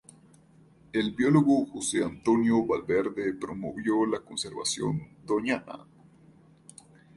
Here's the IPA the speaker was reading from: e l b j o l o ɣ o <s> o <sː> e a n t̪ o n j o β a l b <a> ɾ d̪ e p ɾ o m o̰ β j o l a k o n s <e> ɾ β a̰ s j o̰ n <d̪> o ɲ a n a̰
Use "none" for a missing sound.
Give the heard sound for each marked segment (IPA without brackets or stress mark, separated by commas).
x, s, e, e, d̪